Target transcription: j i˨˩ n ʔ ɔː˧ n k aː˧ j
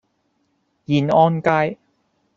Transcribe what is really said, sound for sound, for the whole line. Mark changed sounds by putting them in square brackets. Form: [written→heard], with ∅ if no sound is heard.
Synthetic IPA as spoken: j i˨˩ n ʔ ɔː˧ n k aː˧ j